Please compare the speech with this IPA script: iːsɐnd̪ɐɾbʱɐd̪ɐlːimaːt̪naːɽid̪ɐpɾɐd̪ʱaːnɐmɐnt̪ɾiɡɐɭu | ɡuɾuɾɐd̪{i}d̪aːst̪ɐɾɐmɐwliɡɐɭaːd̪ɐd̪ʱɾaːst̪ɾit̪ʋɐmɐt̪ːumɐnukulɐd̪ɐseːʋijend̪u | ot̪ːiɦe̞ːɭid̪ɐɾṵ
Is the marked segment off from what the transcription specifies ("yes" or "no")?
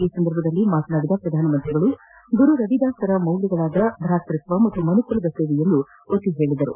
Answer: no